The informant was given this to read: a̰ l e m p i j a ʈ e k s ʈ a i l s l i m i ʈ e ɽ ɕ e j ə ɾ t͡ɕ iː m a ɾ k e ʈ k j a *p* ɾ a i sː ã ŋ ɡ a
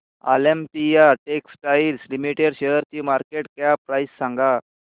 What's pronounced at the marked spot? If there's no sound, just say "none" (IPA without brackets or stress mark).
p